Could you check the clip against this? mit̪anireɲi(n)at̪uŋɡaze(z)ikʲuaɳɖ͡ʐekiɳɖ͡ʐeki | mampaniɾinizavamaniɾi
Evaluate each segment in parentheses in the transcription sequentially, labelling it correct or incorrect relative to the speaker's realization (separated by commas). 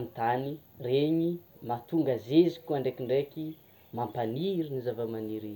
incorrect, correct